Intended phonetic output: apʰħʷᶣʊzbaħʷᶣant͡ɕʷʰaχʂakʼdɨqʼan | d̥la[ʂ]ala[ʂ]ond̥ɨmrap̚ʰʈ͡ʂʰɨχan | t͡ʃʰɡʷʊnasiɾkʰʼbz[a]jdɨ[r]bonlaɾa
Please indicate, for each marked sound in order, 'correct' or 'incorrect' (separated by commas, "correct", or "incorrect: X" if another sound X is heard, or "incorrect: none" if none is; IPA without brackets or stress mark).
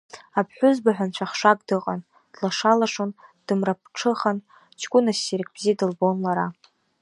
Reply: correct, correct, incorrect: i, incorrect: l